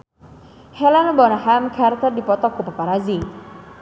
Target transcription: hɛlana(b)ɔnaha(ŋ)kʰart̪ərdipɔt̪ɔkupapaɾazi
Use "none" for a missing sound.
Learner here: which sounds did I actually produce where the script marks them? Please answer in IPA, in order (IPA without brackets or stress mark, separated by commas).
b, m